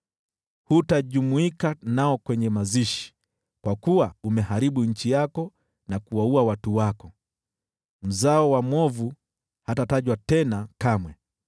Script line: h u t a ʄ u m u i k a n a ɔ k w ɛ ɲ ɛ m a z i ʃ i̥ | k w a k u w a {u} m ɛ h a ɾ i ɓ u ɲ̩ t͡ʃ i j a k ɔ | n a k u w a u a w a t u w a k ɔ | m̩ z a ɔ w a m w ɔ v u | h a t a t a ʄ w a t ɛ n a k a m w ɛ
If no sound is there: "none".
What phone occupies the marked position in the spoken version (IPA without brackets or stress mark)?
u